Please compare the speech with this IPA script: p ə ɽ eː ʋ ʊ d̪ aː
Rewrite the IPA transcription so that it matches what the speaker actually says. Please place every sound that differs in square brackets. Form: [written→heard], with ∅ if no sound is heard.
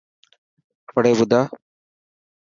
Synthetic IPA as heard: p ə ɽ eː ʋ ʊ d̪ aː